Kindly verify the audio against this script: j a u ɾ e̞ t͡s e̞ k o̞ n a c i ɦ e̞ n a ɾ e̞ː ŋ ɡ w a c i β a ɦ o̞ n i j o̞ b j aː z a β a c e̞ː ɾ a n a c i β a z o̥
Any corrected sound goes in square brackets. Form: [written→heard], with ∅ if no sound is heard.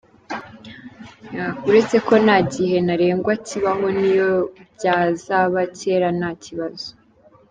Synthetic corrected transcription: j a u ɾ e̞ t͡s e̞ k o̞ n a [c→ɟ] i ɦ e̞ n a ɾ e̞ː ŋ ɡ w a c i β a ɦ o̞ n i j o̞ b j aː z a β a c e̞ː ɾ a n a c i β a z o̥